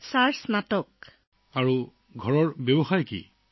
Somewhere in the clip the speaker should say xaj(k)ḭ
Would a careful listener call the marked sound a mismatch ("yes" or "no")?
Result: no